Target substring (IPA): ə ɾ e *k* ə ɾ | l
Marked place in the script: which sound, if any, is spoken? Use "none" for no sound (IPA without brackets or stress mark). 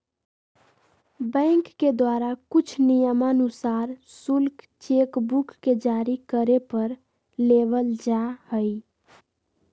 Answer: p